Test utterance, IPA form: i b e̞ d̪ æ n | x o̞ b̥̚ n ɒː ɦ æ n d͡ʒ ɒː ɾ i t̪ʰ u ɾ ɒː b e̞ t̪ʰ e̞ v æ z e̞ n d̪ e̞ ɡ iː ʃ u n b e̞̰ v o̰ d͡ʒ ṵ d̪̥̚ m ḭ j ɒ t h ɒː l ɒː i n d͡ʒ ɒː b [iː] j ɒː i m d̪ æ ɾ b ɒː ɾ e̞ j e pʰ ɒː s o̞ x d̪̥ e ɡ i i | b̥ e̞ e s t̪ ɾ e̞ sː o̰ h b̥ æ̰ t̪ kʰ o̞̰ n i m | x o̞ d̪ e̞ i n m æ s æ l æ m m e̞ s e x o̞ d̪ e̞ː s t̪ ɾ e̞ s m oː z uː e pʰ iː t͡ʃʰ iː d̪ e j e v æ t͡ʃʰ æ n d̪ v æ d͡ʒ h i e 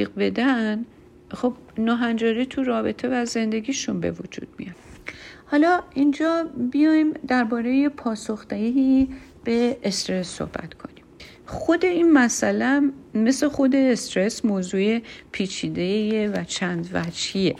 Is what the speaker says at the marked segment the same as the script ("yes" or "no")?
no